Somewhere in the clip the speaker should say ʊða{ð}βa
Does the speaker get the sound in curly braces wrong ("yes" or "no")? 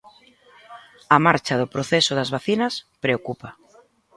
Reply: yes